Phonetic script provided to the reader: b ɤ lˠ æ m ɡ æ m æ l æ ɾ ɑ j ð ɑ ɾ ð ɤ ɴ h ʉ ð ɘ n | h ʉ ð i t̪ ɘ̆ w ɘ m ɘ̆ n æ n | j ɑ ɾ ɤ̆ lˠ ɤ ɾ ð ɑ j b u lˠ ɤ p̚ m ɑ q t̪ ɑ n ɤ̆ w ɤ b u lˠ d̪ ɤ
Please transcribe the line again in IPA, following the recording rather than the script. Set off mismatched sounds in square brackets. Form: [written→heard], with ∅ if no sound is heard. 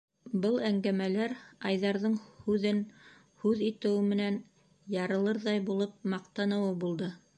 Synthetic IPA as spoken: b ɤ lˠ æ [m→ŋ] ɡ æ m æ l æ ɾ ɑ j ð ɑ ɾ ð ɤ ɴ h ʉ ð ɘ n | h ʉ ð i t̪ ɘ̆ w ɘ m ɘ̆ n æ n | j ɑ ɾ ɤ̆ lˠ ɤ ɾ ð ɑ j b u lˠ ɤ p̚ m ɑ q t̪ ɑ n ɤ̆ w ɤ b u lˠ d̪ ɤ